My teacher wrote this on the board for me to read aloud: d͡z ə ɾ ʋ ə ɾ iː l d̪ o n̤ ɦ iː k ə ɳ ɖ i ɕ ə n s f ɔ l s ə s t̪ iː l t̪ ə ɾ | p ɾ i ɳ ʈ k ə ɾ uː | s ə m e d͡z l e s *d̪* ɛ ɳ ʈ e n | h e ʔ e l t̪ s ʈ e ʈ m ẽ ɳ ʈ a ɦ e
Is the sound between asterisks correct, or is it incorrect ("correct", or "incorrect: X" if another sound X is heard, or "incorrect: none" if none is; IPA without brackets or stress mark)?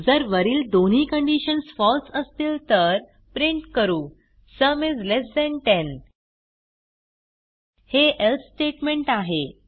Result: correct